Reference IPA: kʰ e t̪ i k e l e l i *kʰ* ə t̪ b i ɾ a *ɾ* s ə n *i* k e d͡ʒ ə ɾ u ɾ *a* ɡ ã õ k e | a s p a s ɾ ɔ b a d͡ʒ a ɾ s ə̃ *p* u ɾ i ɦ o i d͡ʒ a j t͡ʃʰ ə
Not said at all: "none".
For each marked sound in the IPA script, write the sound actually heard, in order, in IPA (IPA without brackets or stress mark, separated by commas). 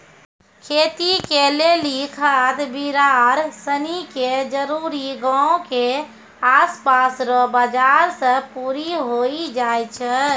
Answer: kʰ, ɾ, i, i, p